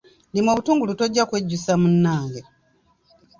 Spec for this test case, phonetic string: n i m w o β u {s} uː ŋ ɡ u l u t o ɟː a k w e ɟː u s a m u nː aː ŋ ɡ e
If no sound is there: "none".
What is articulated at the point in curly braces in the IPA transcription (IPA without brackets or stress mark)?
t